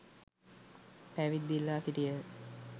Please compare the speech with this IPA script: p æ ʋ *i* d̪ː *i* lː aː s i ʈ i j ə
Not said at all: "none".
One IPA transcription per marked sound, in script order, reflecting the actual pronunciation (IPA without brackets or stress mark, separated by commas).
i, i